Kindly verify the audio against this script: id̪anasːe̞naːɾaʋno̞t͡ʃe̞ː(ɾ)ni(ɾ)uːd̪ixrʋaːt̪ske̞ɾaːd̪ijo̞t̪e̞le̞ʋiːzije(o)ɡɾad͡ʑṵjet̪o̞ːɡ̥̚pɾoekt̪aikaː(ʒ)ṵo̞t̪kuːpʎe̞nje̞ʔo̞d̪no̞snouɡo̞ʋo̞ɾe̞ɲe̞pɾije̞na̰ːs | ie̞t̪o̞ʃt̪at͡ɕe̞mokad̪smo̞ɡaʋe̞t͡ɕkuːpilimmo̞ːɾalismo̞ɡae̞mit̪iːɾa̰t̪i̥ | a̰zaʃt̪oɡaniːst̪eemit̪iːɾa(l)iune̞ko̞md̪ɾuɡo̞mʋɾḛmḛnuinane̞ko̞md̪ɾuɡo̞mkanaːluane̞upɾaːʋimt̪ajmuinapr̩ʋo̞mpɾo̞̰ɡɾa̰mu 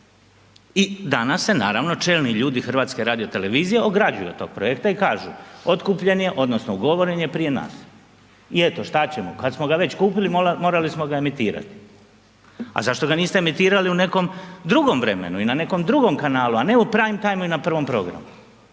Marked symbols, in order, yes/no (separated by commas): no, no, yes, yes, yes